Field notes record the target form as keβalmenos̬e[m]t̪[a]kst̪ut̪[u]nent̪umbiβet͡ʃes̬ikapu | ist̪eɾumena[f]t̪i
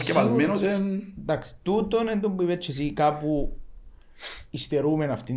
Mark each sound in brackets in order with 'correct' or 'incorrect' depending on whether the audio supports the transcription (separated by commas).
incorrect, correct, incorrect, correct